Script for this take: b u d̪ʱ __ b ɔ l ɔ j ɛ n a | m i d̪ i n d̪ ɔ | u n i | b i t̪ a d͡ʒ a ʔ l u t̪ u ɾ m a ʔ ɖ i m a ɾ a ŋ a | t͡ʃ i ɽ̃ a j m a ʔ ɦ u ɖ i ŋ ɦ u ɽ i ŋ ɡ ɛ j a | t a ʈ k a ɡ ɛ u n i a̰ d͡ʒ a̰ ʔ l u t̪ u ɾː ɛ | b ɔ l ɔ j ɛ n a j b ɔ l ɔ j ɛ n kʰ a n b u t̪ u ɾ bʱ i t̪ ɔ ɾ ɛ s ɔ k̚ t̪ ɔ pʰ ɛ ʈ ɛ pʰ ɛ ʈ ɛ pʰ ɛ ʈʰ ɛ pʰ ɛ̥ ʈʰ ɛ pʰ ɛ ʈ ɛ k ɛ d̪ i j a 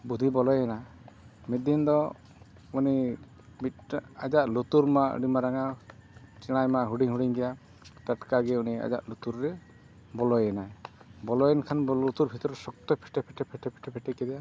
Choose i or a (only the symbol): i